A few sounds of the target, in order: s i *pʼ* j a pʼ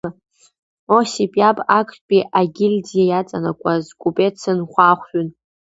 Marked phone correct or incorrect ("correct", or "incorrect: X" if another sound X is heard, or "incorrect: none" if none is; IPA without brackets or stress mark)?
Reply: correct